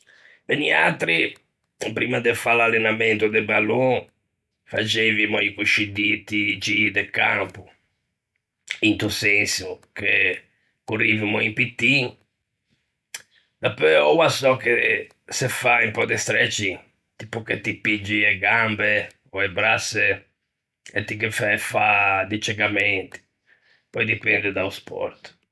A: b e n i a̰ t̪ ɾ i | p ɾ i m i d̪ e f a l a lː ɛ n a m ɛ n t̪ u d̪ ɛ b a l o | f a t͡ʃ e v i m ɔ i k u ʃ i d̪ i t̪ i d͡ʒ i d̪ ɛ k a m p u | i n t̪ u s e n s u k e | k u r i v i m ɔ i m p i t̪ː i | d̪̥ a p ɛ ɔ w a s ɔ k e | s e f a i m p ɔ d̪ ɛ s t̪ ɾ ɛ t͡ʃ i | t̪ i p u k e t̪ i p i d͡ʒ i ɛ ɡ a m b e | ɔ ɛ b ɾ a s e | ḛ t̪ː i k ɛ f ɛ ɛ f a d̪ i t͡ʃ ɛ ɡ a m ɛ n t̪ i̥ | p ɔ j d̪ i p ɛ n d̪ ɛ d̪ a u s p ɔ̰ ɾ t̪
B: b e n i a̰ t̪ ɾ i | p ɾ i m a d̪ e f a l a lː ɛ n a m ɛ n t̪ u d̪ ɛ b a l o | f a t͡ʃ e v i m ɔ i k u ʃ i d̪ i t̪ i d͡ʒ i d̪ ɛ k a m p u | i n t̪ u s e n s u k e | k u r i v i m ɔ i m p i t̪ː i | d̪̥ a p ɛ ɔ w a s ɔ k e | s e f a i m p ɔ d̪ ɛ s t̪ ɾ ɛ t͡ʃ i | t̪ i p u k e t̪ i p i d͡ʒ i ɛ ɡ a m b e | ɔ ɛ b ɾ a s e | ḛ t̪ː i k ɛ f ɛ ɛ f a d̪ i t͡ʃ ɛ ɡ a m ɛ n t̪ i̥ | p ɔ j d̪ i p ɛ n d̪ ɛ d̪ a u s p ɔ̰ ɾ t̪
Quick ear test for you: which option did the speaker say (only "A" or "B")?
B